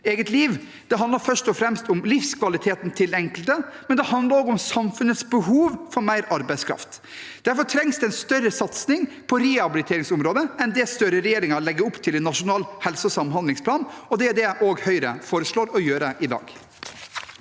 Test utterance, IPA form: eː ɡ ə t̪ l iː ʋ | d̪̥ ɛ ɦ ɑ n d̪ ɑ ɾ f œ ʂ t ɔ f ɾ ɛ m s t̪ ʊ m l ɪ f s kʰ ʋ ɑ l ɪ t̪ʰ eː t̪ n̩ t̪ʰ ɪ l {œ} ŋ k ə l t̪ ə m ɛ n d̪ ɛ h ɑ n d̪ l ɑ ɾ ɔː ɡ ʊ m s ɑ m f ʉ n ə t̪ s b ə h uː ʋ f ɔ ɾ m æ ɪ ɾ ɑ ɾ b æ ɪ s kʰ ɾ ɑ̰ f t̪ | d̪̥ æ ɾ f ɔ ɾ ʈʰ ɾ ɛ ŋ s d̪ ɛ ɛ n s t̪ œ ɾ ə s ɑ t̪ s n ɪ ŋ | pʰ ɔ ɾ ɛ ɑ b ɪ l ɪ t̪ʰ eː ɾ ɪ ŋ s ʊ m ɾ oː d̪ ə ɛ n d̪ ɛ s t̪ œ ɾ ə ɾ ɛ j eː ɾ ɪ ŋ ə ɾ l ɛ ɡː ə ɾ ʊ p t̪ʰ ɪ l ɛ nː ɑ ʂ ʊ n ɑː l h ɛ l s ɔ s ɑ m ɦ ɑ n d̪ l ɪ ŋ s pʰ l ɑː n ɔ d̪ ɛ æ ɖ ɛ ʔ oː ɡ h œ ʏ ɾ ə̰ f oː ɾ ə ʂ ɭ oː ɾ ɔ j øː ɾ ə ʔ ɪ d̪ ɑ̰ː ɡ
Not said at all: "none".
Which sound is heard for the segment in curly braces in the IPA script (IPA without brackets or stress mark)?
ɛ